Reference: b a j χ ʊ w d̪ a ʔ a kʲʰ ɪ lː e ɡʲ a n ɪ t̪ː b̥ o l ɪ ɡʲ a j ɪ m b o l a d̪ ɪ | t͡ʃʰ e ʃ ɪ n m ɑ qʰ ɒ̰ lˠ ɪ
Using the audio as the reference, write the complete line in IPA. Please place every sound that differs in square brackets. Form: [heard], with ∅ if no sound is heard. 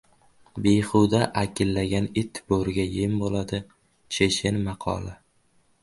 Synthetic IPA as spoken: b [e] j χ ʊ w d̪ a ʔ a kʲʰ ɪ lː [a] ɡʲ a n ɪ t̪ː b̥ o [ɾ] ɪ ɡʲ a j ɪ m b o l a d̪ ɪ | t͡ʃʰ e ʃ ɪ n m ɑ qʰ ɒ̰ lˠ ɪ